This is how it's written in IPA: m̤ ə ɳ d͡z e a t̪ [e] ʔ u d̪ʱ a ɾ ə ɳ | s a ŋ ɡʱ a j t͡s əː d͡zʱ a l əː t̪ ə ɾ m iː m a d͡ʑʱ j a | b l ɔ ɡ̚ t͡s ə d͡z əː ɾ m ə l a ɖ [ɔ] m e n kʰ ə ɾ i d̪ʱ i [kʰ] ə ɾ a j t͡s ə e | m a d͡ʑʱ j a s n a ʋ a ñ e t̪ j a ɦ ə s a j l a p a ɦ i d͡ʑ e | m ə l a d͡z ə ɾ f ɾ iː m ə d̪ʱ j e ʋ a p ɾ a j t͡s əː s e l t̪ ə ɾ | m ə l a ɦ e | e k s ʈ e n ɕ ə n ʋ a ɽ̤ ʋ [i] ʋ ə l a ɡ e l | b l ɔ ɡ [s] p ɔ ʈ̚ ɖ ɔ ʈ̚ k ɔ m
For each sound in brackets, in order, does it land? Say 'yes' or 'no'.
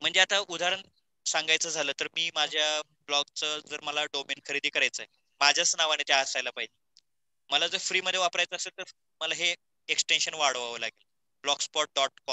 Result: no, no, no, no, yes

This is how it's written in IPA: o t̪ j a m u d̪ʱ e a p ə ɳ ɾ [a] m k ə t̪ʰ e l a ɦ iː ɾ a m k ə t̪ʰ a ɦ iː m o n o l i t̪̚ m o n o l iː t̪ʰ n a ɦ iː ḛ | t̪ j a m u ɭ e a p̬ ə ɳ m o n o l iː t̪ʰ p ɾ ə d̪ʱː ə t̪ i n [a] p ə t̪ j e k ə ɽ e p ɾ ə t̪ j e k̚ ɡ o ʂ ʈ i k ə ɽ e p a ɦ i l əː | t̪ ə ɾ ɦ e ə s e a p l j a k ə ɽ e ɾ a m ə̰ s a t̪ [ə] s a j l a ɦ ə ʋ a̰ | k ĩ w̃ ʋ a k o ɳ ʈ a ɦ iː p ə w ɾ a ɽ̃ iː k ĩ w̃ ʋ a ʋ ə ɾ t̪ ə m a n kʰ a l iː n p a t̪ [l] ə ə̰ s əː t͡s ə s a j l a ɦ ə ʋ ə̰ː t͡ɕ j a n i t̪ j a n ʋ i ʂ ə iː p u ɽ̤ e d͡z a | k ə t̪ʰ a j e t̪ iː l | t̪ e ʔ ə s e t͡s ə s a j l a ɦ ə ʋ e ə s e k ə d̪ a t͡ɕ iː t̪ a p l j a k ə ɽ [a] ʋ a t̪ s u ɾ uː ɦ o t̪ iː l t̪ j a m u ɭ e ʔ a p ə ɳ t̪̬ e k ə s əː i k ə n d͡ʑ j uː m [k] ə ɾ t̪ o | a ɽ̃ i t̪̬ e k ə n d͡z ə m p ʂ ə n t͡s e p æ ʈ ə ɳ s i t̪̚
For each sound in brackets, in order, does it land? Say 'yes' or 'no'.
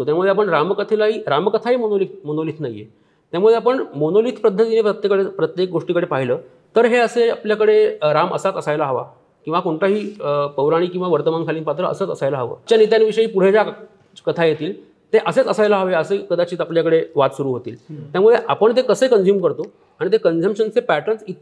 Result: yes, no, yes, no, no, yes

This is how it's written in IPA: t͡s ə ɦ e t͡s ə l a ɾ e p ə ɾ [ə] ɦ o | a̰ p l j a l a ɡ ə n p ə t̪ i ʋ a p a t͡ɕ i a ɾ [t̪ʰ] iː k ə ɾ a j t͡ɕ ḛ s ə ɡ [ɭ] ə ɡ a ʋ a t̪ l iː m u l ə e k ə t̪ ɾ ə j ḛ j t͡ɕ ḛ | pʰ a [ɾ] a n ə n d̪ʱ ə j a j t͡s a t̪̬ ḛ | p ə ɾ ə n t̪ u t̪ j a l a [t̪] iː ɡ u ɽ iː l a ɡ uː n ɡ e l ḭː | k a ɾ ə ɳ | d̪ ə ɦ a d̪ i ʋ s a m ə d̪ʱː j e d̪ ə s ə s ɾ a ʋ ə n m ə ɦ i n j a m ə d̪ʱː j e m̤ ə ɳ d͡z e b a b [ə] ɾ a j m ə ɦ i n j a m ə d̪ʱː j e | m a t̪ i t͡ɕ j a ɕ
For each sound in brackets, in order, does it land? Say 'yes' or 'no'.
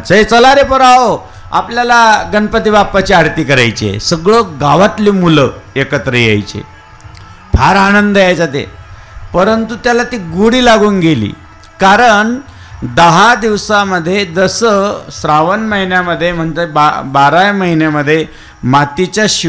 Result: no, no, yes, yes, yes, no

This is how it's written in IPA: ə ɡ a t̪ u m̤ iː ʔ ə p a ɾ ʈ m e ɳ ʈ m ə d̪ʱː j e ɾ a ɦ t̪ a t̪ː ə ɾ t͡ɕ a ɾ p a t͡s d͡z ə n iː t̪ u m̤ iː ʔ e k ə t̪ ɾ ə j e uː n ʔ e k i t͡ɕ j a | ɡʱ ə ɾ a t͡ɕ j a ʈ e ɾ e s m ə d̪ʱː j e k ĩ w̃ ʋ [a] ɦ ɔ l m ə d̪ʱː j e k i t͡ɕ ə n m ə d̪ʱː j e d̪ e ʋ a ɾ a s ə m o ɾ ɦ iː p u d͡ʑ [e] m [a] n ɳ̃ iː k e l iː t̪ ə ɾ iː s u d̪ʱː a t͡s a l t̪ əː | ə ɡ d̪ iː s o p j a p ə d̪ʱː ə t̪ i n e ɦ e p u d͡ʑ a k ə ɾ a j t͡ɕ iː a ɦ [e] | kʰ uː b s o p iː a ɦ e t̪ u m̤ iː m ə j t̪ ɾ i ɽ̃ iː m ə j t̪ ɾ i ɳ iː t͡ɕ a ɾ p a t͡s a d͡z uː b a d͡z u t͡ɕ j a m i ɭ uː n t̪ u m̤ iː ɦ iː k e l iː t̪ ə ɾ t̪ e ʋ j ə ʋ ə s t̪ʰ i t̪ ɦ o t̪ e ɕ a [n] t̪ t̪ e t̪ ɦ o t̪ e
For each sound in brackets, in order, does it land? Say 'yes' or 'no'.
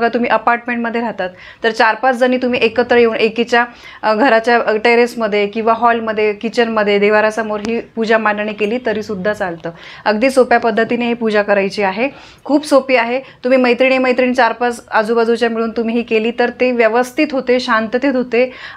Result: yes, no, yes, yes, yes

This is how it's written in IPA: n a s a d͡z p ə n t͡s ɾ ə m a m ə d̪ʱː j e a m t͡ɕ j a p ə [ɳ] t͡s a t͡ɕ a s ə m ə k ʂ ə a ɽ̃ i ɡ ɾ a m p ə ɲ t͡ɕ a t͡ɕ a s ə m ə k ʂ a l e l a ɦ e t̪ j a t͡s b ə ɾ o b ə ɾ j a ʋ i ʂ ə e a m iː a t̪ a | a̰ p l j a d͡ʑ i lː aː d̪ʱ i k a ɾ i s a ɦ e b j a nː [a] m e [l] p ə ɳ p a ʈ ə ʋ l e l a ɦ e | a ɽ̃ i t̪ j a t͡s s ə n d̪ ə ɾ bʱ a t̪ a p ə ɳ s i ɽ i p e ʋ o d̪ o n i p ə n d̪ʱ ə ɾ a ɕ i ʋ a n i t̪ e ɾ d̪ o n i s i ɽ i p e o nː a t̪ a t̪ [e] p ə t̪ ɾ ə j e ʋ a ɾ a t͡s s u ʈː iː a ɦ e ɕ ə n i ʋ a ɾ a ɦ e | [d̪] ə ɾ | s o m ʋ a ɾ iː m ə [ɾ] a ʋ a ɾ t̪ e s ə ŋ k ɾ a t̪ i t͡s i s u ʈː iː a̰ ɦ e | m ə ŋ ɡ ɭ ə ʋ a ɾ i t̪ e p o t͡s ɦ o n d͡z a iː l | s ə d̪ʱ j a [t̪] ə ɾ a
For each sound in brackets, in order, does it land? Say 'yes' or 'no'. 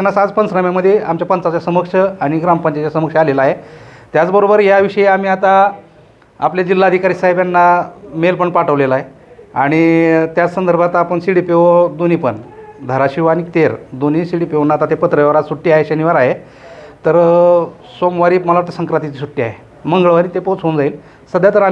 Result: no, yes, yes, yes, no, no, yes

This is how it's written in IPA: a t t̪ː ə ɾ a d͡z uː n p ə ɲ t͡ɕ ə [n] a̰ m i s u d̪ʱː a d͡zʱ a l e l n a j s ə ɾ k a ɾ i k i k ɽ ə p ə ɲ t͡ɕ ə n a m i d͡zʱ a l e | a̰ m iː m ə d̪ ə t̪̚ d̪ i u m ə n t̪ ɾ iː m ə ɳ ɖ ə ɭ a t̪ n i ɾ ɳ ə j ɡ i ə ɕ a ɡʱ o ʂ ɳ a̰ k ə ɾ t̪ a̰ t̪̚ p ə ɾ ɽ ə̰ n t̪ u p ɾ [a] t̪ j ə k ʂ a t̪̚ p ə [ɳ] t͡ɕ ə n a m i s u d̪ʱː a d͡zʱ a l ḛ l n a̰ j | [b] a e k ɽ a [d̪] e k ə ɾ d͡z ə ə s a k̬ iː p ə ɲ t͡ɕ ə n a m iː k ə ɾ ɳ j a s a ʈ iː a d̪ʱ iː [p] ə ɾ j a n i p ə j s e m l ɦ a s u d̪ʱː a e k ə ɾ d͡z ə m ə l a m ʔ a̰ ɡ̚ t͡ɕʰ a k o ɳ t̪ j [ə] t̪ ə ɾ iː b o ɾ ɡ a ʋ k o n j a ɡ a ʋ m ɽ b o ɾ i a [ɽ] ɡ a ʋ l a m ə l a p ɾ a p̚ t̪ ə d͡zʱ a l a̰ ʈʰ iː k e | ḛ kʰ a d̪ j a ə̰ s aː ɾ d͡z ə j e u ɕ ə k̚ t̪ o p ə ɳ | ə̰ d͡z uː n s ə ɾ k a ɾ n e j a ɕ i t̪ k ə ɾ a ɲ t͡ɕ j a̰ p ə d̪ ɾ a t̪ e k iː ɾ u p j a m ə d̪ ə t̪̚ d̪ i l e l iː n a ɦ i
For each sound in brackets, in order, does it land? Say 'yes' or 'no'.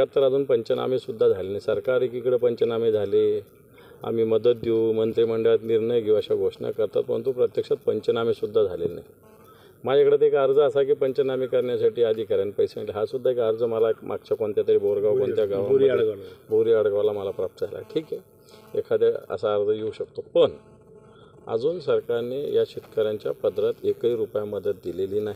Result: yes, no, no, no, no, no, no, yes

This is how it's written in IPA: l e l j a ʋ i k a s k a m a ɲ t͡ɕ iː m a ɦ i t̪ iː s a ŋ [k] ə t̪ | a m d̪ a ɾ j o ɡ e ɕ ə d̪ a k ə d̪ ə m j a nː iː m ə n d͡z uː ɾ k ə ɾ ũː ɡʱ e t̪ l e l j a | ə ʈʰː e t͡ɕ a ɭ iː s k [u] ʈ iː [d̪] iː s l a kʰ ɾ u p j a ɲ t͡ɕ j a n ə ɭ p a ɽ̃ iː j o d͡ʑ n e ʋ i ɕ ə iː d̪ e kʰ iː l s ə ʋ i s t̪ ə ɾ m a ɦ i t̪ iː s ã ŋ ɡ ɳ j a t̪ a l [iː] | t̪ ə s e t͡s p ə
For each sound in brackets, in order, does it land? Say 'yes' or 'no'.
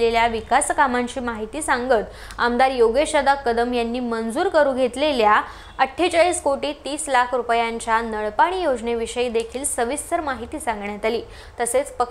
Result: no, no, no, yes

